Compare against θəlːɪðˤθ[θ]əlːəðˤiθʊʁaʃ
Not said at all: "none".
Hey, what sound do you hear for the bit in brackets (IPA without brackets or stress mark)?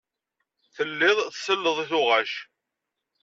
s